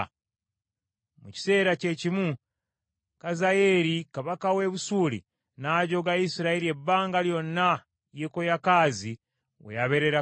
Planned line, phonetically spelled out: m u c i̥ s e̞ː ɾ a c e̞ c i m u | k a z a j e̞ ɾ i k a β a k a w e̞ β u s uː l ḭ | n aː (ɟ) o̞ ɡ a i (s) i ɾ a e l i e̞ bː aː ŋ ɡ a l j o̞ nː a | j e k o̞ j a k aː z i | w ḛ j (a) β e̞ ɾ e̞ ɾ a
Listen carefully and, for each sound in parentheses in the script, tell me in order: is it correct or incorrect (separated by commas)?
correct, correct, correct